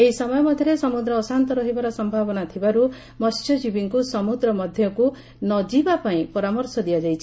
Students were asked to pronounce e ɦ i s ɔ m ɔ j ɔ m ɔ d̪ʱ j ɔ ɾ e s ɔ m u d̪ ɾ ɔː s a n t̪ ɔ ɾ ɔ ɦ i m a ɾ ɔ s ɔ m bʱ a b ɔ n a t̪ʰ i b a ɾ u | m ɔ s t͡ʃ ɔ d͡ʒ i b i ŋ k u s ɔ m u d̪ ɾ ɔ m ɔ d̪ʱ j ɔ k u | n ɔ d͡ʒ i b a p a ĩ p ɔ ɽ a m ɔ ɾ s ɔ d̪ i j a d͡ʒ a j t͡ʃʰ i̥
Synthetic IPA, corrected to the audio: e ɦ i s ɔ m ɔ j ɔ m ɔ d̪ʱ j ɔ ɾ e s ɔ m u d̪ ɾ ɔː s a n t̪ ɔ ɾ ɔ ɦ i b a ɾ ɔ s ɔ m bʱ a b ɔ n a t̪ʰ i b a ɾ u | m ɔ s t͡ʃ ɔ d͡ʒ i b i ŋ k u s ɔ m u d̪ ɾ ɔ m ɔ d̪ʱ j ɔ k u | n ɔ d͡ʒ i b a p a ĩ p ɔ ɾ a m ɔ ɾ s ɔ d̪ i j a d͡ʒ a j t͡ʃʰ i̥